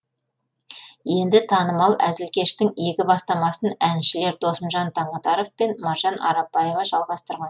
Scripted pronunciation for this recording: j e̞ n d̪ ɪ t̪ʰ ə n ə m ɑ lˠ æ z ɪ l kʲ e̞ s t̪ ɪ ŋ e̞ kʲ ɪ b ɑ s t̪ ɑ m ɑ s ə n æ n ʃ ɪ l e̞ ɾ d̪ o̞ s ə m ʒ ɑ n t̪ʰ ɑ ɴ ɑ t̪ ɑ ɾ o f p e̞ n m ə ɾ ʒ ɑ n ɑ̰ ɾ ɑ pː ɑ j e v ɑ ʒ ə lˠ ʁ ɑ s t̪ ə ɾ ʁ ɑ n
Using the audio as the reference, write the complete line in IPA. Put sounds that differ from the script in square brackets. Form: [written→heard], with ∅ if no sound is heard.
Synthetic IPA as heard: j e̞ n d̪ ɪ t̪ʰ [ə→ɑ] n ə m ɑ lˠ æ z ɪ l kʲ e̞ [s→ʃ] t̪ ɪ ŋ e̞ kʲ ɪ b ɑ s t̪ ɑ m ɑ s ə n æ n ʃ ɪ l e̞ ɾ d̪ o̞ s ə m ʒ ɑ n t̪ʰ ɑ ɴ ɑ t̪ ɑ ɾ o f p e̞ n m [ə→ɑ] ɾ ʒ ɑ n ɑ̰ ɾ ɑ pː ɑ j e v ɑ ʒ [ə→ɑ] lˠ ʁ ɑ s t̪ ə ɾ ʁ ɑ n